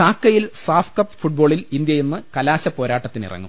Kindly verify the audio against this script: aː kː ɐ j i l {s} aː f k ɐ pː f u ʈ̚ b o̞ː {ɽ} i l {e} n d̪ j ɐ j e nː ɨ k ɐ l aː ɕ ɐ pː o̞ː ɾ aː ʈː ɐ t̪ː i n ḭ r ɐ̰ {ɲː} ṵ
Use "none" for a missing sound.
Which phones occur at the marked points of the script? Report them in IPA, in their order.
s, ɭ, i, ŋː

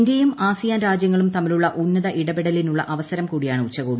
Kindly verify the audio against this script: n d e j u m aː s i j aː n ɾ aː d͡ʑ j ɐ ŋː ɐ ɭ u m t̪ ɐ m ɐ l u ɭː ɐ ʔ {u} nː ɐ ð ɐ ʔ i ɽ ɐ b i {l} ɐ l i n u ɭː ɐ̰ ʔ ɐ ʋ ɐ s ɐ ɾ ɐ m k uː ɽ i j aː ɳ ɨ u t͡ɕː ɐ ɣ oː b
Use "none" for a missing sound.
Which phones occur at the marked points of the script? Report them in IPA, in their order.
u, ɽ

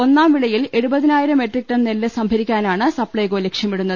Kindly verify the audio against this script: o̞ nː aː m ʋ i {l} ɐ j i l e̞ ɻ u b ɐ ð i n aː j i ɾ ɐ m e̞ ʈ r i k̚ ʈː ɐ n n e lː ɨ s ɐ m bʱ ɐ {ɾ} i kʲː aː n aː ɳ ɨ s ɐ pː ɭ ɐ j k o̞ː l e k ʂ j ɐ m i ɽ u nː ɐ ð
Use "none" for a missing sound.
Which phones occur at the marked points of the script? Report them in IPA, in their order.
ɭ, ɾ

